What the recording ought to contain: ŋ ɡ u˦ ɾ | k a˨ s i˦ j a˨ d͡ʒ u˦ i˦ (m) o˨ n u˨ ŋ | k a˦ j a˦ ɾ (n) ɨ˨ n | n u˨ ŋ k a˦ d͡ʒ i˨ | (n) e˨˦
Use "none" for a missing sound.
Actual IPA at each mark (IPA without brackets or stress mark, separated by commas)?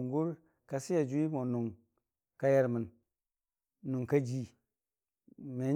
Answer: m, m, m